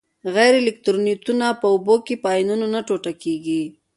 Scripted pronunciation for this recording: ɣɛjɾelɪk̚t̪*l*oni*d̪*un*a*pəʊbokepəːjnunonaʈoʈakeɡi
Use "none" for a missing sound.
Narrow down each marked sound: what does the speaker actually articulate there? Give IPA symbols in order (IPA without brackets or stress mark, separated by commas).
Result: ɾ, t̪, a